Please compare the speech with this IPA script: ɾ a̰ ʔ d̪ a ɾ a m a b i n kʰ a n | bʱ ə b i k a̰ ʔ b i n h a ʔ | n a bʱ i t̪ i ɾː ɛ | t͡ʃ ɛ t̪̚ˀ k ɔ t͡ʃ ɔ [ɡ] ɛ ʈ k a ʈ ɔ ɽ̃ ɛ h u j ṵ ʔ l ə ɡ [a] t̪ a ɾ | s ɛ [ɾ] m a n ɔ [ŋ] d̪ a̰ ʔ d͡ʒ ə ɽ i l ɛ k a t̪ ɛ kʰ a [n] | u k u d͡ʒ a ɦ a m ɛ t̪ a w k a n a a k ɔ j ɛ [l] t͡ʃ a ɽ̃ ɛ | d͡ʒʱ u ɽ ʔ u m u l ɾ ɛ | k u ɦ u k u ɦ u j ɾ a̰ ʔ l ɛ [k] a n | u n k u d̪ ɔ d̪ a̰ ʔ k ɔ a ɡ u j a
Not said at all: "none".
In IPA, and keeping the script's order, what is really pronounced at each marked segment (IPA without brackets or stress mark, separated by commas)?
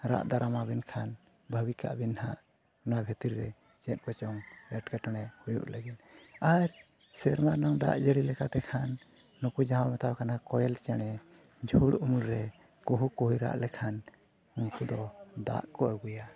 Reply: ŋ, i, ɾ, ŋ, nː, l, kʰ